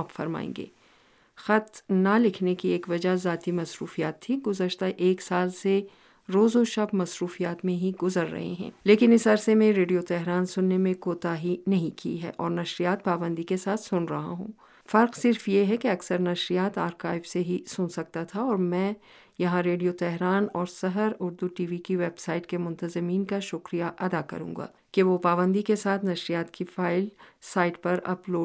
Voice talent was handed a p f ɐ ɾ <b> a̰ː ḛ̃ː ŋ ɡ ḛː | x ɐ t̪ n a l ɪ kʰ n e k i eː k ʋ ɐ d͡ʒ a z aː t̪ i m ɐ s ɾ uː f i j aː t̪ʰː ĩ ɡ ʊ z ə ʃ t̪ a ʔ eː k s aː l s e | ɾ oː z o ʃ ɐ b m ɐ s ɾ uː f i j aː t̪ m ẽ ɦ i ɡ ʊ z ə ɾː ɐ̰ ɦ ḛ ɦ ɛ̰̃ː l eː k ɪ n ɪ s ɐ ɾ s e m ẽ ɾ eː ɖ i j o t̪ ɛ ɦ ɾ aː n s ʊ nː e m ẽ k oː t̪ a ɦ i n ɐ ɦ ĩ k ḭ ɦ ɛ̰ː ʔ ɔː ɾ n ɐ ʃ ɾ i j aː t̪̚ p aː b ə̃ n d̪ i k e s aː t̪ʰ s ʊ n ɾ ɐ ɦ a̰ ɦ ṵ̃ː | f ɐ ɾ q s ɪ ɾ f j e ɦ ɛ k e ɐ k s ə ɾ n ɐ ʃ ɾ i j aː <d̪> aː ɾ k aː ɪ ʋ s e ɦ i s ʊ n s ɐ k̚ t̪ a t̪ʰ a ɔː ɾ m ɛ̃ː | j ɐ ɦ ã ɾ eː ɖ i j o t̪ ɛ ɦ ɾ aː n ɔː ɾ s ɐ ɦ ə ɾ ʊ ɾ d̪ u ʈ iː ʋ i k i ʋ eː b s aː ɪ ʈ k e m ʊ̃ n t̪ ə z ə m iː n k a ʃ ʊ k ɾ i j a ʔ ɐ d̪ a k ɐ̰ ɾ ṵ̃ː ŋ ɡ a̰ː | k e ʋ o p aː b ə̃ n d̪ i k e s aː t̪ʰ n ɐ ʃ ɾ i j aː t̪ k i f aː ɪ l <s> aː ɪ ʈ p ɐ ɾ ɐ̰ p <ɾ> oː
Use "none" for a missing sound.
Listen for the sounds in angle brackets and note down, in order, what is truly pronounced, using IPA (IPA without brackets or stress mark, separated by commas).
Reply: m, t̪, s, l